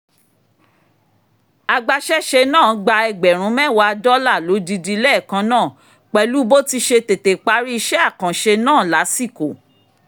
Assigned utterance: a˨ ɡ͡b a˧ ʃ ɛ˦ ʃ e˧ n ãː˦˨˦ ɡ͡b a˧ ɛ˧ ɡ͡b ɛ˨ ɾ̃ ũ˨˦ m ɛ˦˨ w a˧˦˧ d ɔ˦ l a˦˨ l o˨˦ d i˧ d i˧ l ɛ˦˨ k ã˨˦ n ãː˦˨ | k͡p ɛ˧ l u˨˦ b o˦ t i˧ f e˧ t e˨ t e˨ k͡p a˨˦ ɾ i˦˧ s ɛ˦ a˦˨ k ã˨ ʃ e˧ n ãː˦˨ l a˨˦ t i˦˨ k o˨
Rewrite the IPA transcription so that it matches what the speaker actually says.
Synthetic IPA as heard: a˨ ɡ͡b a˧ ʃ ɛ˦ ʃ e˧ n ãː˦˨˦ ɡ͡b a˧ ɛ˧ ɡ͡b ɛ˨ ɾ̃ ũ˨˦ m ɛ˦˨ w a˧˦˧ d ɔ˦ l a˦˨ l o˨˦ d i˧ d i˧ l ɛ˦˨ k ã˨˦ n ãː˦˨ | k͡p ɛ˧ l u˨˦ b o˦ t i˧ ʃ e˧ t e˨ t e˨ k͡p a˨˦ ɾ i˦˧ ʃ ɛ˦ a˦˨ k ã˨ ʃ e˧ n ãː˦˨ l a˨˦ s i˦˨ k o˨